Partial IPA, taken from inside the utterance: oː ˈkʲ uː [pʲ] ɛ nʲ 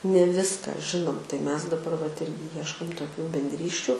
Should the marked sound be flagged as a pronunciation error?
yes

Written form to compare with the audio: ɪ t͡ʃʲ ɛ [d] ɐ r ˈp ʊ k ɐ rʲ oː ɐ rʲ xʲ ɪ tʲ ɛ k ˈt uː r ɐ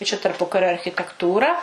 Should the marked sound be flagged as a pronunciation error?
yes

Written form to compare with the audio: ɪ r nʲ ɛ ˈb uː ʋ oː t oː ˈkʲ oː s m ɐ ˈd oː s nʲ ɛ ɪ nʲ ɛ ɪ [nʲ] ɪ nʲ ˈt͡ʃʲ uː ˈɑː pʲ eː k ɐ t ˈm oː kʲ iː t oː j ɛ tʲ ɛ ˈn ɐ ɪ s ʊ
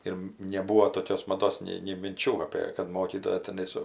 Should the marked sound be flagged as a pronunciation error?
yes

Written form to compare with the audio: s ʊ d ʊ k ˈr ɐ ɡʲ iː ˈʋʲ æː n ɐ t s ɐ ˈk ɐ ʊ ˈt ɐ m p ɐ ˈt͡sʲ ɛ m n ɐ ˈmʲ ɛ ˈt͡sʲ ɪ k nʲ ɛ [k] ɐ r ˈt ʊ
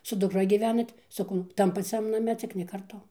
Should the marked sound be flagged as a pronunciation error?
no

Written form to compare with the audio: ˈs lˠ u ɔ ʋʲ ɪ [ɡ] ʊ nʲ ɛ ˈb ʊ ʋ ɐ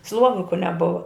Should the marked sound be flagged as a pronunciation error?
yes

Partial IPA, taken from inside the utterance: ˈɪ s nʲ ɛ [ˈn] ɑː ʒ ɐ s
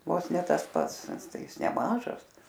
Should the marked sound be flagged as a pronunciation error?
yes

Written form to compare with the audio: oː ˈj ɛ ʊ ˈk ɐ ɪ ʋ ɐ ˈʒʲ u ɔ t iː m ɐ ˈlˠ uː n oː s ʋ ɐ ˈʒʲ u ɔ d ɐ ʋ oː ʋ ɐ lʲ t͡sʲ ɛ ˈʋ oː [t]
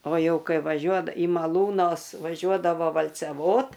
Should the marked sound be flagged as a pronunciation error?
no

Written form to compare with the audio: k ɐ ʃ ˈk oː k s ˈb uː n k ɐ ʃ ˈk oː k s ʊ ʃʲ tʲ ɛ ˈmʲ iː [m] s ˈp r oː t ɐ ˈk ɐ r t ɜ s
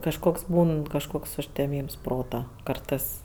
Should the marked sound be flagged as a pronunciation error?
no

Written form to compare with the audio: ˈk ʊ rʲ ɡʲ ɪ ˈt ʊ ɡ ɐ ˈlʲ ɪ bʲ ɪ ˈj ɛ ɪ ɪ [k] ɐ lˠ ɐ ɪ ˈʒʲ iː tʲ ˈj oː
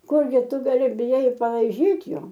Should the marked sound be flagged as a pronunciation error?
yes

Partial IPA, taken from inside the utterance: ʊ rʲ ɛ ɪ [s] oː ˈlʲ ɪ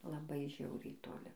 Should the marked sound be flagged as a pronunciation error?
yes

